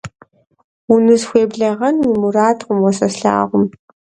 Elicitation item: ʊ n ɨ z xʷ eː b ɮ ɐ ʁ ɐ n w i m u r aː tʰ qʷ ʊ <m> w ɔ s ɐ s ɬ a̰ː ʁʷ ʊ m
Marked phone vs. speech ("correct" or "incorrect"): correct